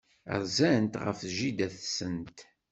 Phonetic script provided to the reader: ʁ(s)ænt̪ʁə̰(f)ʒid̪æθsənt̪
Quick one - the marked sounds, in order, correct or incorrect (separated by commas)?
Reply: incorrect, correct